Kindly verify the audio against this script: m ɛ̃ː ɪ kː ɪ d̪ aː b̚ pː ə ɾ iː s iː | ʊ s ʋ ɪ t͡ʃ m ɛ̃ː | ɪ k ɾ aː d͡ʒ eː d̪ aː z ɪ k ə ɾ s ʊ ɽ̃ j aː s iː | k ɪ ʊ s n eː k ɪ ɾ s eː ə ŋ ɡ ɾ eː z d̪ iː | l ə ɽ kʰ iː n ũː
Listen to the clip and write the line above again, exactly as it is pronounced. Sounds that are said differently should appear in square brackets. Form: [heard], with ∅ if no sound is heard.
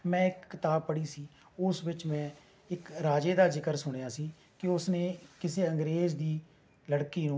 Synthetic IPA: m ɛ̃ː ɪ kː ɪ [t̪] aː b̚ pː ə [ɽ] iː s iː | ʊ s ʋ ɪ t͡ʃ m ɛ̃ː | ɪ k ɾ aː d͡ʒ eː d̪ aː z ɪ k ə ɾ s ʊ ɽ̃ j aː s iː | k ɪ ʊ s n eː k ɪ [∅] s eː ə ŋ ɡ ɾ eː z d̪ iː | l ə ɽ [k] iː n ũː

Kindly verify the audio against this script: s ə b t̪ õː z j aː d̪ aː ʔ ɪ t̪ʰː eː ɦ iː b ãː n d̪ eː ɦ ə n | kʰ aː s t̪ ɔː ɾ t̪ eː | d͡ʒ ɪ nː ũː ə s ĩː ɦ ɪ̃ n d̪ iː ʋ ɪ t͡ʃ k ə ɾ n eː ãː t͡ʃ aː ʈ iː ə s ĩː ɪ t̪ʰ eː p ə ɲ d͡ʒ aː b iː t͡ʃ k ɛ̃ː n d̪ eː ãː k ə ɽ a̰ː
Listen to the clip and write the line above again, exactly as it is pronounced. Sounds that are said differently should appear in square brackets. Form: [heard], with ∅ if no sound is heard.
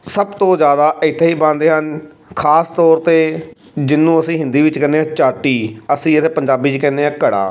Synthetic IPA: s ə b t̪ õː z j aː d̪ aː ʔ ɪ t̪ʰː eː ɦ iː b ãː n d̪ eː ɦ ə n | kʰ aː s t̪ ɔː ɾ t̪ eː | d͡ʒ ɪ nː ũː ə s ĩː ɦ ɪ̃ n d̪ iː ʋ ɪ t͡ʃ k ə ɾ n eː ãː t͡ʃ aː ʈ iː ə s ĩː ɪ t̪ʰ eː p ə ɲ d͡ʒ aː b iː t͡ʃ k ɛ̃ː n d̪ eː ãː k ə ɽ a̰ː

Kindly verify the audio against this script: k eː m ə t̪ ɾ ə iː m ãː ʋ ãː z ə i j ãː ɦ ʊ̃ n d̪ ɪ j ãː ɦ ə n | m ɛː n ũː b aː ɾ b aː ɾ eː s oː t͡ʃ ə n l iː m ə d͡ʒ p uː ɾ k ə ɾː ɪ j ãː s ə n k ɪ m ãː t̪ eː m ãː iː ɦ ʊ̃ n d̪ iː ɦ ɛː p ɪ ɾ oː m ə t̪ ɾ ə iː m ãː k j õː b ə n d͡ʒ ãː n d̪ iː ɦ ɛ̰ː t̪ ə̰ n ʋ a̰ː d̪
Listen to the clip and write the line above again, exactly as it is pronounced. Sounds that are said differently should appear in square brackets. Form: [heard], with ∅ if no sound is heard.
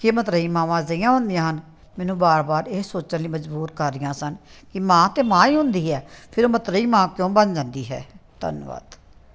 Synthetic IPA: k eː m ə t̪ ɾ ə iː m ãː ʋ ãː z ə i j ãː ɦ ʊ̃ n d̪ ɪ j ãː ɦ ə n | m ɛː n ũː b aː ɾ b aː ɾ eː s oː t͡ʃ ə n l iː m ə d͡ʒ [b] uː ɾ k ə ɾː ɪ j ãː s ə n k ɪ m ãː t̪ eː m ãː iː ɦ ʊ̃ n d̪ iː ɦ ɛː [pʰ] ɪ ɾ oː m ə t̪ ɾ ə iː m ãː k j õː b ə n d͡ʒ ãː n d̪ iː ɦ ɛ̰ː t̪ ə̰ n ʋ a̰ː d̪

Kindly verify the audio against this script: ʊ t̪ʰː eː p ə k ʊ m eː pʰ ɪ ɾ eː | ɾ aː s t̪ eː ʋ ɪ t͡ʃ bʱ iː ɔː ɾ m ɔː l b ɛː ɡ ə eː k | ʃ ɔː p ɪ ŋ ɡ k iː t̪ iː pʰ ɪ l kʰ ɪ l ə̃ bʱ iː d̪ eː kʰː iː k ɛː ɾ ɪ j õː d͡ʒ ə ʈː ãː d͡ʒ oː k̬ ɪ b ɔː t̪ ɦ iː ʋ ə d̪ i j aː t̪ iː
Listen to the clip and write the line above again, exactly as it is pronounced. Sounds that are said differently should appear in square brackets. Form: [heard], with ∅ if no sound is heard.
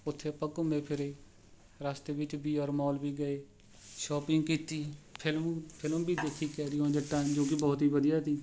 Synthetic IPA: ʊ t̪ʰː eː p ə k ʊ m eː pʰ ɪ ɾ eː | ɾ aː s t̪ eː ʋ ɪ t͡ʃ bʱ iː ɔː ɾ m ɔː l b [iː] ɡ ə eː [∅] | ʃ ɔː p ɪ ŋ ɡ k iː t̪ iː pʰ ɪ l [pʰ] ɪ l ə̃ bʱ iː d̪ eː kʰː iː k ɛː ɾ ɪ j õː d͡ʒ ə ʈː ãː d͡ʒ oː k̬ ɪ b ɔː t̪ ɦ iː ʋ ə d̪ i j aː t̪ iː

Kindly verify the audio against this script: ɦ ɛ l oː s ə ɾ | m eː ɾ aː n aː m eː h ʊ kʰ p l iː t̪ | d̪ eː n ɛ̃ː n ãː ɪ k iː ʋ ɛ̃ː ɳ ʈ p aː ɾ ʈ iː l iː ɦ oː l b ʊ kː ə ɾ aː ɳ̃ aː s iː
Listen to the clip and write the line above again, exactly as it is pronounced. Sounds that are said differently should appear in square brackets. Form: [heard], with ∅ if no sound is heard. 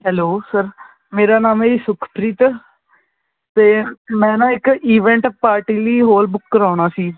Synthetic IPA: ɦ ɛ l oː s ə ɾ | m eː ɾ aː n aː m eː [s] ʊ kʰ p [ɾ] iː t̪ | [t̪] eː [m] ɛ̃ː n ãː ɪ k iː ʋ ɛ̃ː ɳ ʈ p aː ɾ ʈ iː l iː ɦ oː l b ʊ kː ə ɾ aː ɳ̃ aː s iː

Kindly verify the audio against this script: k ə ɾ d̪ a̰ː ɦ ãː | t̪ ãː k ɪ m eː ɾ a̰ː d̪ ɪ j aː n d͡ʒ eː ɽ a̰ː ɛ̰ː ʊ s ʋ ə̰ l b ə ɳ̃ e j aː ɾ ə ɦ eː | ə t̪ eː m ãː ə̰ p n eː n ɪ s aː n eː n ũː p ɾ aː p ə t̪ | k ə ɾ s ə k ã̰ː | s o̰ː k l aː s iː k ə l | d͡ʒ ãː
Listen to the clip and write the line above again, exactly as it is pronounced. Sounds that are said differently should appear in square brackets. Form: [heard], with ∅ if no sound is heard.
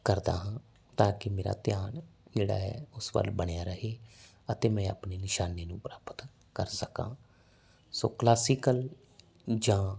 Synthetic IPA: k ə ɾ d̪ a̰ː ɦ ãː | t̪ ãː k ɪ m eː ɾ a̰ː [t̪] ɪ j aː n d͡ʒ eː ɽ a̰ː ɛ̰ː ʊ s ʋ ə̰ l b ə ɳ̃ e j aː ɾ ə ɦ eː | ə t̪ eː m [ɛ̃ː] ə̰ p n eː n ɪ [ʃ] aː n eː n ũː p ɾ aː p ə t̪ | k ə ɾ s ə k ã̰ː | s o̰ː k l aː s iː k ə l | d͡ʒ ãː

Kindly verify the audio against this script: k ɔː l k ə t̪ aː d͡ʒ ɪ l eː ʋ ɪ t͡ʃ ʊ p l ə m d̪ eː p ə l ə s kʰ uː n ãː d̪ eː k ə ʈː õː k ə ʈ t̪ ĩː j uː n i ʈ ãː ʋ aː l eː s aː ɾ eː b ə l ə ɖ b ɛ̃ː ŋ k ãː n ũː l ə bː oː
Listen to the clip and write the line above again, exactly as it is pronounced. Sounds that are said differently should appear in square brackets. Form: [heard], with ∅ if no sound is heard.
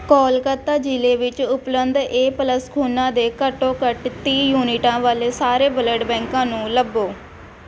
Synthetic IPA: k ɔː l k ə t̪ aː d͡ʒ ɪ l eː ʋ ɪ t͡ʃ ʊ p l ə [n] d̪ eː p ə l ə s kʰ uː n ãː d̪ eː k ə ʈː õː k ə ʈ t̪ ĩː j uː n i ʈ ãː ʋ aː l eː s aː ɾ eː b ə l ə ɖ b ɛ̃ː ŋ k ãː n ũː l ə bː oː

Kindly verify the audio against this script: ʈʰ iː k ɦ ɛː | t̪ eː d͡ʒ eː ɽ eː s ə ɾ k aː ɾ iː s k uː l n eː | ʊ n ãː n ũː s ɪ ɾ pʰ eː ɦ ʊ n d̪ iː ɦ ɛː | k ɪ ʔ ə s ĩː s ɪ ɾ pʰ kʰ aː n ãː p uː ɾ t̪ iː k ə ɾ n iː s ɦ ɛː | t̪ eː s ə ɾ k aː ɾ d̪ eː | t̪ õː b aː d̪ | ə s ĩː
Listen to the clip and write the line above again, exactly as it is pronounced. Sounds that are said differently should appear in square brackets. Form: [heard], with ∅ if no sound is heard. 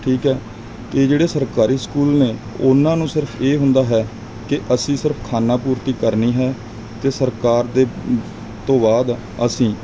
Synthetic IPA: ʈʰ iː k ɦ ɛː | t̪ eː d͡ʒ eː ɽ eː s ə ɾ k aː ɾ iː s k uː l n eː | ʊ n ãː n ũː s ɪ ɾ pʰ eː ɦ ʊ n d̪ [aː] ɦ ɛː | k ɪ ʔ ə s ĩː s ɪ ɾ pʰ kʰ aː n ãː p uː ɾ t̪ iː k ə ɾ n iː [∅] ɦ ɛː | t̪ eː s ə ɾ k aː ɾ d̪ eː | t̪ õː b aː d̪ | ə s ĩː

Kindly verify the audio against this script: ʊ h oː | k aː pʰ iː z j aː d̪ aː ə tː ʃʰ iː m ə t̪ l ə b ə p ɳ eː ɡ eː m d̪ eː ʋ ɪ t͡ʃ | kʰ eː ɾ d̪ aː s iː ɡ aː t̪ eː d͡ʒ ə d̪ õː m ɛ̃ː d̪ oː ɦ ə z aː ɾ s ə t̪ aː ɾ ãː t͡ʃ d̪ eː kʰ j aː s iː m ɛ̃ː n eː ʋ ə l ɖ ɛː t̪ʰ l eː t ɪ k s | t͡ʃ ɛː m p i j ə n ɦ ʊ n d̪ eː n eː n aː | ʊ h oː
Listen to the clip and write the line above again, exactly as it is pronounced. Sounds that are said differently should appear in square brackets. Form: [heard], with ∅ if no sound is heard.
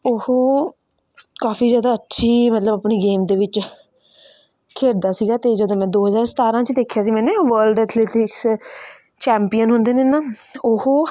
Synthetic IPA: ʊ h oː | k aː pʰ iː z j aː d̪ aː ə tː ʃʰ iː m ə t̪ l ə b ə p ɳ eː ɡ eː m d̪ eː ʋ ɪ t͡ʃ | kʰ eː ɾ d̪ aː s iː ɡ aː t̪ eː d͡ʒ ə d̪ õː m ɛ̃ː d̪ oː ɦ ə z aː ɾ s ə t̪ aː ɾ ãː t͡ʃ d̪ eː kʰ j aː s iː m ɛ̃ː n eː ʋ ə l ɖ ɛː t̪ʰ l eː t ɪ k s | t͡ʃ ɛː m p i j ə n ɦ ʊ n d̪ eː n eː n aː | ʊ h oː

